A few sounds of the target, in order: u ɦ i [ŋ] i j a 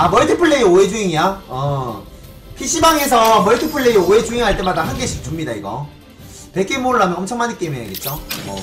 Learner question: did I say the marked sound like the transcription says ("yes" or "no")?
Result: yes